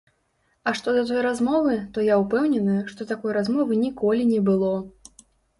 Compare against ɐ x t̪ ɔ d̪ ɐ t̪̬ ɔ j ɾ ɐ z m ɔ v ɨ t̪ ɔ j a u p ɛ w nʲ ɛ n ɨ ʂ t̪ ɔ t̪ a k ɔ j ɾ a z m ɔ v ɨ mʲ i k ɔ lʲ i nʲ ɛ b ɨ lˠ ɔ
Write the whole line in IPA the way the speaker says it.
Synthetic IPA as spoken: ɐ ʂ t̪ ɔ d̪ ɐ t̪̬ ɔ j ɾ a z m ɔ v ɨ t̪ ɔ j a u p ɛ w nʲ ɛ n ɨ ʂ t̪ ɔ t̪ a k ɔ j ɾ a z m ɔ v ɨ nʲ i k ɔ lʲ i nʲ ɛ b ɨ lˠ ɔ